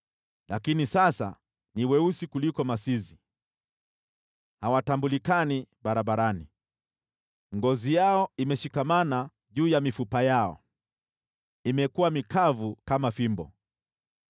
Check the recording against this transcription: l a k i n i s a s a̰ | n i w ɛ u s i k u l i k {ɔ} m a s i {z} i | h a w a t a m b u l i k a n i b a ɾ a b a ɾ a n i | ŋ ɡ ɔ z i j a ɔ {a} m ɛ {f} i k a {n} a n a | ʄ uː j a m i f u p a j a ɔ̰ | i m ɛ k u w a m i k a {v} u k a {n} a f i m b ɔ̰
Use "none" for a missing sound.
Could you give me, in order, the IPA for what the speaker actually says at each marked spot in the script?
ɔ, z, i, ʃ, m, v, m

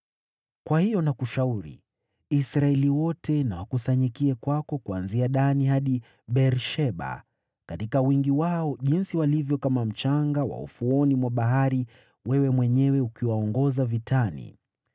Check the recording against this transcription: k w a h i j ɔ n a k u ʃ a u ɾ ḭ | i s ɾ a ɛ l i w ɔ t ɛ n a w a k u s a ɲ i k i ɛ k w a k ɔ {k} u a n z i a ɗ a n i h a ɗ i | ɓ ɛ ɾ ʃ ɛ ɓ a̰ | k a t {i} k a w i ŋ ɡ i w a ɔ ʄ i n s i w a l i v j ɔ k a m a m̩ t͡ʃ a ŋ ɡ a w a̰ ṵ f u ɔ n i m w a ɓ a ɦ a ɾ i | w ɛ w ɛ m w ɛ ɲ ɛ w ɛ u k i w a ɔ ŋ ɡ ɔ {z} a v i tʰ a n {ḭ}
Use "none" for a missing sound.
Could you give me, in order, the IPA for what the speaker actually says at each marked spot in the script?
k, i, z, ḭ

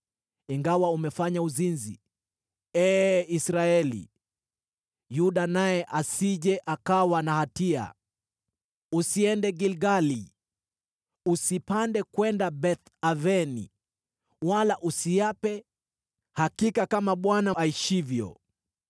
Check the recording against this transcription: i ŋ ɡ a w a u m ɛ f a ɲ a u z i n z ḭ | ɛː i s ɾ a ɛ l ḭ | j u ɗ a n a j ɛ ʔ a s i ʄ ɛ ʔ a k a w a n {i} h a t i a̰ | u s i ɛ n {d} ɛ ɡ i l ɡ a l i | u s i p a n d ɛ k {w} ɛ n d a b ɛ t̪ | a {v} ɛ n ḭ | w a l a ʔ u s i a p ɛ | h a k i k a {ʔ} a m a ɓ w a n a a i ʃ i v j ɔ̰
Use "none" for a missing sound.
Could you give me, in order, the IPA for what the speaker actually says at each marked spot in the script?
a, d, w, v, k

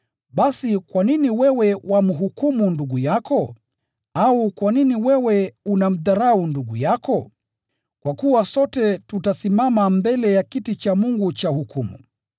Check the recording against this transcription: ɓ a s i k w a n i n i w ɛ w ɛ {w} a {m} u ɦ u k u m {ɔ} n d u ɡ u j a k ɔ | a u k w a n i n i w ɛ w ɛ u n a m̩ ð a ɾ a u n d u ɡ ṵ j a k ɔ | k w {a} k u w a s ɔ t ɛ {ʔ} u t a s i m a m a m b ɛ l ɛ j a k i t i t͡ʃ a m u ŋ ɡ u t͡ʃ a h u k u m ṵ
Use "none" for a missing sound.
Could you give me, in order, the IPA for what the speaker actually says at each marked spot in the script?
w, m, u, a, t

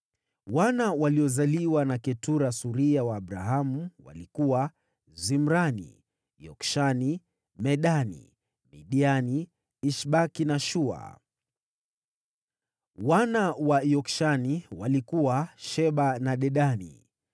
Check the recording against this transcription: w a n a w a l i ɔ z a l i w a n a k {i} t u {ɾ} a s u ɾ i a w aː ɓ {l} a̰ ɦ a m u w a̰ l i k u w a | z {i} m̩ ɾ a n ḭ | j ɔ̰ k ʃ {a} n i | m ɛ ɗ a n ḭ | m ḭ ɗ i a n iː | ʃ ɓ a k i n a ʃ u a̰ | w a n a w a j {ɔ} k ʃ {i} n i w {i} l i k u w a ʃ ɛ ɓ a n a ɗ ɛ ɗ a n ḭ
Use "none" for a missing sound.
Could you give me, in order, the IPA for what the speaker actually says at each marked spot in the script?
ɛ, ɾ, ɾ, i, a, ɔ, a, a

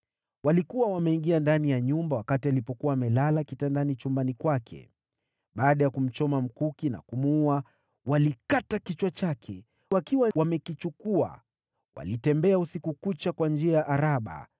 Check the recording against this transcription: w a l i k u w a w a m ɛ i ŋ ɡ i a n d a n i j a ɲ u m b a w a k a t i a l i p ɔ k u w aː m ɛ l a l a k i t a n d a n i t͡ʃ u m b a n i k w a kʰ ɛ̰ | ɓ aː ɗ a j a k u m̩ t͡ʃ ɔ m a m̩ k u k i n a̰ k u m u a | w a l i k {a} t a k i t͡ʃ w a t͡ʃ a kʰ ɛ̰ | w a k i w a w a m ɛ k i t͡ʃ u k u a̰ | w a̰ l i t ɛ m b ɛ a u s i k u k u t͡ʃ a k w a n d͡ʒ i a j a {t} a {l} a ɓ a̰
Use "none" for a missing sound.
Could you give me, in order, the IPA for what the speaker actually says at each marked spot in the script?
a, ʔ, ɾ

